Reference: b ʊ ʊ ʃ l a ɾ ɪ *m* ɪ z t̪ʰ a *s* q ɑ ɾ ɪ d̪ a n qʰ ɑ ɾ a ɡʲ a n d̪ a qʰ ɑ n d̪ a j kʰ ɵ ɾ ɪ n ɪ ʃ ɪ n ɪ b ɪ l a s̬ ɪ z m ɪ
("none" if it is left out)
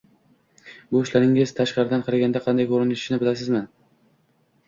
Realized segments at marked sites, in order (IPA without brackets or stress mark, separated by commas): ŋ, ʃ